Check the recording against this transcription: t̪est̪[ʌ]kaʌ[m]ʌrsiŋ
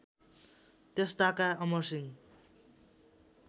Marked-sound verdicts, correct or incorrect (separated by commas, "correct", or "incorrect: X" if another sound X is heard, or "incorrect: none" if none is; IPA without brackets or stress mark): incorrect: a, correct